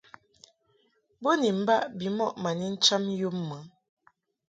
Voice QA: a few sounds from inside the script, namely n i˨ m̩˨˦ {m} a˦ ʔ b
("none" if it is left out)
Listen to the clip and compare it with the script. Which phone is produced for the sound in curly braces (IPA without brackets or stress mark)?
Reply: b